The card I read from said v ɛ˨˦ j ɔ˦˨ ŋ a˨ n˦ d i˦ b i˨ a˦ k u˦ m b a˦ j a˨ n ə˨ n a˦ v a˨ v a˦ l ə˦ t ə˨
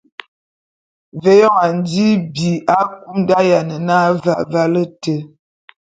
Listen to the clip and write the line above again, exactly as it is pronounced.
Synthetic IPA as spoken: v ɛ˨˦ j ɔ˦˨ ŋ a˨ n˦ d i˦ b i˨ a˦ k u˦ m d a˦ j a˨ n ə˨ n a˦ v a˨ v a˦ l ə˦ t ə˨